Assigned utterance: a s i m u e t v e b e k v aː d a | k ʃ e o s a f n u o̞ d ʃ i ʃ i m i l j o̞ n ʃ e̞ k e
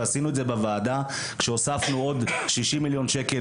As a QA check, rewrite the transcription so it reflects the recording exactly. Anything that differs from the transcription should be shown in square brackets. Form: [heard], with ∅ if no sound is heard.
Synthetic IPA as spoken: a s i [n] u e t [z] e b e [∅] v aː d a | k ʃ e o s a f n u o̞ d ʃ i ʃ i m i l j o̞ n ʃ e̞ k e